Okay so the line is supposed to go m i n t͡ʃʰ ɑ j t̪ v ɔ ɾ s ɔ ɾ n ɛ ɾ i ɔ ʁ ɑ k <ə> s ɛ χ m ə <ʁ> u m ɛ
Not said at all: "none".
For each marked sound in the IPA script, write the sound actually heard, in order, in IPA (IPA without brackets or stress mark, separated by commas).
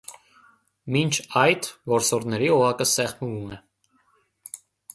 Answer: ə, v